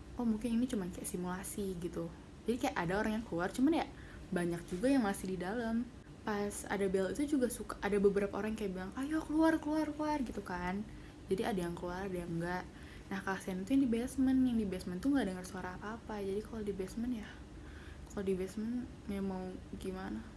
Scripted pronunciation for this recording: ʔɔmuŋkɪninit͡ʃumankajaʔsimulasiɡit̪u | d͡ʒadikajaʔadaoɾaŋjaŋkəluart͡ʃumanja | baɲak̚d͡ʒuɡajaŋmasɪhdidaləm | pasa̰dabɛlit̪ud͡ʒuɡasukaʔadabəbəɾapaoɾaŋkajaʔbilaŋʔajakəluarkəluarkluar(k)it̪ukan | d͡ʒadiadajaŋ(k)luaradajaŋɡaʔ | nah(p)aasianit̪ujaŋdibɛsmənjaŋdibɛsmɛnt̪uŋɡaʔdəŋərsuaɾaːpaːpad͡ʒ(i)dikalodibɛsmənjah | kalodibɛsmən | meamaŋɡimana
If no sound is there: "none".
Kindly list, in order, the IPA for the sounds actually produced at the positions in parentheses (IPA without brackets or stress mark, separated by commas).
ɡ, k, k, a